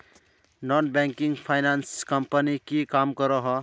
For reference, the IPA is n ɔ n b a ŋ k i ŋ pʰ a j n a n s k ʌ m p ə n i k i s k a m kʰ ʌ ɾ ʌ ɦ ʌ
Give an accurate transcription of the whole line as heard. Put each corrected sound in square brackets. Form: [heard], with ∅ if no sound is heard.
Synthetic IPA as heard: n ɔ n b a ŋ k i ŋ pʰ a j n a n s k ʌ m p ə n i k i [∅] k a m [k] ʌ ɾ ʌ ɦ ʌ